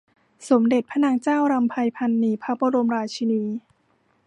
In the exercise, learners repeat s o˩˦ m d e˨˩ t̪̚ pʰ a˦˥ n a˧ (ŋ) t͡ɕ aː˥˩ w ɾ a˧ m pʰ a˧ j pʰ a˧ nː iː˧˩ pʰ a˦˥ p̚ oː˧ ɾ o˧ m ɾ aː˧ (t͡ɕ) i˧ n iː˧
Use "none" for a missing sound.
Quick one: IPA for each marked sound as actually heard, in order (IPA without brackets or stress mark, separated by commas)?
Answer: ŋ, t͡ɕʰ